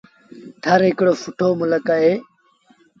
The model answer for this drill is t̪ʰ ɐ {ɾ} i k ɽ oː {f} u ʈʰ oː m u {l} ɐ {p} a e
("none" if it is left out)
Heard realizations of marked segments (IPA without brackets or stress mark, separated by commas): ɾ, f, l, k